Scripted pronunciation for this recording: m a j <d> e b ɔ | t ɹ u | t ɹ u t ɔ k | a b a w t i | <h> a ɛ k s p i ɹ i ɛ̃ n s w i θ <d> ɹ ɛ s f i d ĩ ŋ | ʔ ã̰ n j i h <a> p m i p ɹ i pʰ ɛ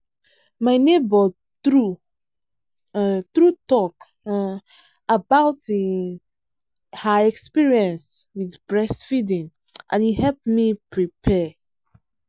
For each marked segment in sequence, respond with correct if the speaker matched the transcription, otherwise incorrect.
incorrect: n, correct, incorrect: b, incorrect: ɛ

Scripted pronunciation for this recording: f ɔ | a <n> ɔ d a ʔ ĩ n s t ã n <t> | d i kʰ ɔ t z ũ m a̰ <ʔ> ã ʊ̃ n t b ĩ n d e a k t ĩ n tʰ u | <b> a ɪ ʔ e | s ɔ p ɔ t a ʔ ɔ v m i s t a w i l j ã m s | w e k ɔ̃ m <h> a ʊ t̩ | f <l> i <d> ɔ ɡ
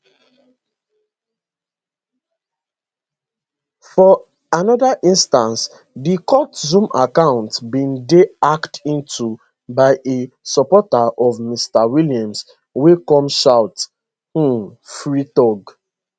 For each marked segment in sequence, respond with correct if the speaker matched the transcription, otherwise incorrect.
correct, incorrect: s, incorrect: k, correct, incorrect: ʃ, incorrect: ɹ, incorrect: t

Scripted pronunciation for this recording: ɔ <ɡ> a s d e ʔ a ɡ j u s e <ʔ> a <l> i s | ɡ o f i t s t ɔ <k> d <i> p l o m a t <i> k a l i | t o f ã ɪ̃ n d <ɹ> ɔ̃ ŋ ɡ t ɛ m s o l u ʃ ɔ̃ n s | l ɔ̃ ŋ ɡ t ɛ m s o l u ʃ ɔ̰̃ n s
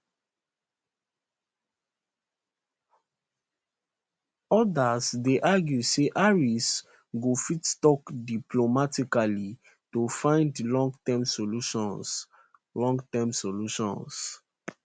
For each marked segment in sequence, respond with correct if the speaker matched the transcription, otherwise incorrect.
incorrect: d, correct, incorrect: ɹ, correct, correct, correct, incorrect: l

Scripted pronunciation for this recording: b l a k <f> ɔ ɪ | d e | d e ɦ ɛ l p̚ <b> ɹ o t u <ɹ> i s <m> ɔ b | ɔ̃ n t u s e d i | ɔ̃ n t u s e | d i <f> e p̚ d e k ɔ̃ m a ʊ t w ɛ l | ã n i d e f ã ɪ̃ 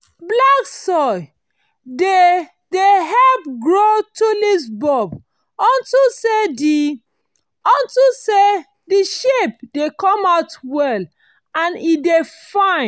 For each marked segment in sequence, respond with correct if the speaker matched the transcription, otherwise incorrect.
incorrect: s, incorrect: ɡ, incorrect: l, incorrect: b, incorrect: ʃ

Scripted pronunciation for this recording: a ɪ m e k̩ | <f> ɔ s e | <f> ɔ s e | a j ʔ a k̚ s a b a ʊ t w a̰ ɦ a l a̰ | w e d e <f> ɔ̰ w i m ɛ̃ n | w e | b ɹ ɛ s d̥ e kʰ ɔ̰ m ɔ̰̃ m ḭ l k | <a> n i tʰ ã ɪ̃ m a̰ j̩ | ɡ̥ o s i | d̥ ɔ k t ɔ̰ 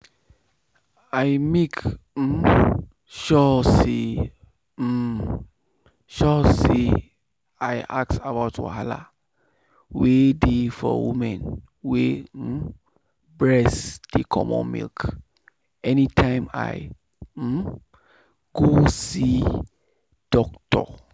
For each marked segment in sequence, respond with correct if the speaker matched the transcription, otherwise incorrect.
incorrect: ʃ, incorrect: ʃ, correct, incorrect: ɛ

